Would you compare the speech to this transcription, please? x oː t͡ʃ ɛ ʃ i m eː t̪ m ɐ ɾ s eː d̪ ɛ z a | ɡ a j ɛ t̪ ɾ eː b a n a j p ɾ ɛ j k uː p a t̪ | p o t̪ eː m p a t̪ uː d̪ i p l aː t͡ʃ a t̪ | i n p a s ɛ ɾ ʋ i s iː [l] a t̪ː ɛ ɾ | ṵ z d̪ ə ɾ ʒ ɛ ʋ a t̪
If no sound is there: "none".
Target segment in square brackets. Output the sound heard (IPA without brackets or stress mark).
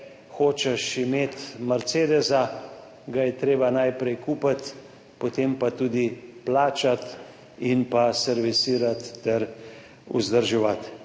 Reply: ɾ